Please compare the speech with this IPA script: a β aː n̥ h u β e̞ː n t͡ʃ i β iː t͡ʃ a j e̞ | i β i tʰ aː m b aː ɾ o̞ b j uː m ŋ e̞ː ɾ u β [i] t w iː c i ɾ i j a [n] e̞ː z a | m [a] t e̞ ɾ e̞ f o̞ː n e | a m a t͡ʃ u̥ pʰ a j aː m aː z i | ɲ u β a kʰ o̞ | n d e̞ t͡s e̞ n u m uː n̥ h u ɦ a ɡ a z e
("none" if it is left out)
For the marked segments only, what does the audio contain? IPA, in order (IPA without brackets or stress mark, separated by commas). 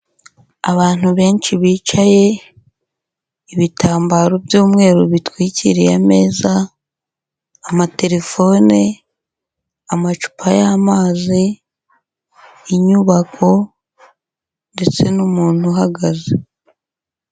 i, m, a